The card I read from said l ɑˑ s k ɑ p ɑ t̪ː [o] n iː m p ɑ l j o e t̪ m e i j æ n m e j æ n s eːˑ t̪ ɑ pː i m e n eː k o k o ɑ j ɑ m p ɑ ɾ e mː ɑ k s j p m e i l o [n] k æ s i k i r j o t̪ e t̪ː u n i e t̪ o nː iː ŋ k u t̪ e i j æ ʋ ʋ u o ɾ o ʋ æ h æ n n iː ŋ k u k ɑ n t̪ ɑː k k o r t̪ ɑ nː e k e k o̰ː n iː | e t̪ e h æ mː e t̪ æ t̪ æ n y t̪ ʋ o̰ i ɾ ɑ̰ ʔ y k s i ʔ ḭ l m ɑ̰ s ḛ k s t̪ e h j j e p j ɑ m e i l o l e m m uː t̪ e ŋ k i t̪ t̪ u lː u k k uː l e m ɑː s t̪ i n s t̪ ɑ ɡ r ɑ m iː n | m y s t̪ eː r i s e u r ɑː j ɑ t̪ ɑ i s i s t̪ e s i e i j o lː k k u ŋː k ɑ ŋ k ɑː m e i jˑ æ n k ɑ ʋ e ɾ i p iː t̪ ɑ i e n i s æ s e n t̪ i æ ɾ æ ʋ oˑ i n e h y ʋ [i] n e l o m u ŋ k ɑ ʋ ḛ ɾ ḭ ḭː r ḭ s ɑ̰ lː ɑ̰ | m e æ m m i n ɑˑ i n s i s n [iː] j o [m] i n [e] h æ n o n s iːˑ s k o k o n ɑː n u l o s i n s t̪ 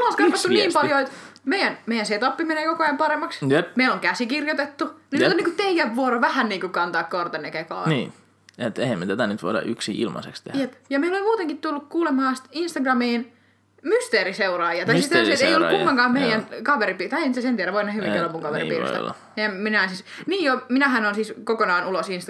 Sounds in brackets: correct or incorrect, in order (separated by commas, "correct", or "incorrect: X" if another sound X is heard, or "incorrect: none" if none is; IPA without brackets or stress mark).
incorrect: u, incorrect: ŋ, correct, correct, correct, incorrect: æ